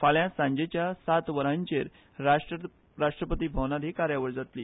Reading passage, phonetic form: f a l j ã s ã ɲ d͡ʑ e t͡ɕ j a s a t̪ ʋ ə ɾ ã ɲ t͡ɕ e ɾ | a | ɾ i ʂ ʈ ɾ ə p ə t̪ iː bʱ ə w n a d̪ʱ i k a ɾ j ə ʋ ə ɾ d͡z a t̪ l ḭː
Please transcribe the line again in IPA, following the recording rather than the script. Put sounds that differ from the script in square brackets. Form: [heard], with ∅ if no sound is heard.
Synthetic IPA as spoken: f a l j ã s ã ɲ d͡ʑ e t͡ɕ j a s a t̪ ʋ ə ɾ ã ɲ t͡ɕ e ɾ | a | ɾ [a] ʂ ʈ ɾ ə p ə t̪ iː bʱ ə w n a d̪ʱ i k a ɾ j [a] ʋ ə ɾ d͡z a t̪ l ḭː